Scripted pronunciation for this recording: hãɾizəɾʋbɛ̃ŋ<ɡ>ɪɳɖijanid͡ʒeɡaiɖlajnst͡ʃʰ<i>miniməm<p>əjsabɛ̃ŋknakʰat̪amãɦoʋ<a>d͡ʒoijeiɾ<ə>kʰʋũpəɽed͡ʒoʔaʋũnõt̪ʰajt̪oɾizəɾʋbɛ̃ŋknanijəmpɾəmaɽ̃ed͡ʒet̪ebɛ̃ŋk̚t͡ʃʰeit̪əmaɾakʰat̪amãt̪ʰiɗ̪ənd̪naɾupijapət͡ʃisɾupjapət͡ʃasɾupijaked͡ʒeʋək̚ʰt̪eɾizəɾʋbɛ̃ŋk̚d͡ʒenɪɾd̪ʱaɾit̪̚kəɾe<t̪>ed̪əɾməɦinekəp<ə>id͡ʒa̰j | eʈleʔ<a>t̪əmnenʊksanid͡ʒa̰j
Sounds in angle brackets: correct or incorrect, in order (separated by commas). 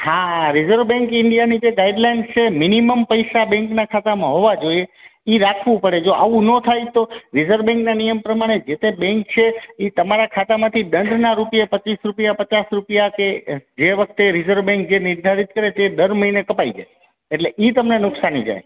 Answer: incorrect, incorrect, correct, correct, incorrect, correct, incorrect, incorrect